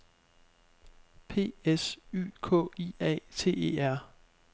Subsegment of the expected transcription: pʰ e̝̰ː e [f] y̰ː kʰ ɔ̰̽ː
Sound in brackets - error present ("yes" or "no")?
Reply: yes